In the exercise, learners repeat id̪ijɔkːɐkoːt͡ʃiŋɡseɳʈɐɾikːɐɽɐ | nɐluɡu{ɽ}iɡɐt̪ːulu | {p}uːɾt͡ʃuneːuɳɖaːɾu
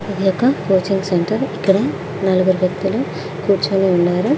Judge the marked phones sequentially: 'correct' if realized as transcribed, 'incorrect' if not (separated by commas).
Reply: incorrect, incorrect